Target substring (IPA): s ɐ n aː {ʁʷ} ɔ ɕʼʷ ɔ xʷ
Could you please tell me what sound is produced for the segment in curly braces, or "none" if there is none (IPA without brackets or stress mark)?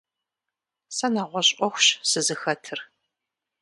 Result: ʁʷ